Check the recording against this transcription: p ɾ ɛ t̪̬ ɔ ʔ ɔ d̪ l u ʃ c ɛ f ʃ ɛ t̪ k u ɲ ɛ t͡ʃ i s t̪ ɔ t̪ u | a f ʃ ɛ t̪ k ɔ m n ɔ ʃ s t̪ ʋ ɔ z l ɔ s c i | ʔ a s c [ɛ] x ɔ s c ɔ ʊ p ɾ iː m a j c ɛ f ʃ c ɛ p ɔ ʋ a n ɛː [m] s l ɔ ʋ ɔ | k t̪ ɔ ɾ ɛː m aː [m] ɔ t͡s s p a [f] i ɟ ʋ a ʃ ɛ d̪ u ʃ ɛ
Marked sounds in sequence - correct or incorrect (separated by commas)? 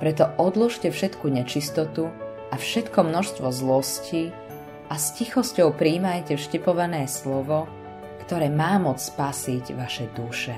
incorrect, incorrect, correct, incorrect